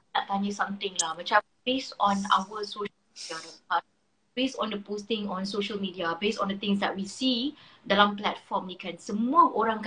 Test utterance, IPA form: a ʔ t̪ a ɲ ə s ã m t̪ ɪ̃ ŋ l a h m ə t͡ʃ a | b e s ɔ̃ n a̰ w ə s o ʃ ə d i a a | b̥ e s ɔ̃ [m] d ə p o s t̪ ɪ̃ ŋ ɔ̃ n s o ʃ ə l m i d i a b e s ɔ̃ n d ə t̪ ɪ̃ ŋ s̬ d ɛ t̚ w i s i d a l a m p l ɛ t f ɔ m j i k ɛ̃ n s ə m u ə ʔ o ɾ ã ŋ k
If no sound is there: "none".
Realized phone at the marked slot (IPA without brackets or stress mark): n